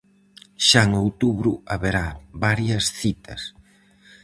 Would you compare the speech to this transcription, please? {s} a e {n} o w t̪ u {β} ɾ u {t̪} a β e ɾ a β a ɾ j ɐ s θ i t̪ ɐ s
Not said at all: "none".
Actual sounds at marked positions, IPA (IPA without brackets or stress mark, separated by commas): ʃ, ŋ, β, none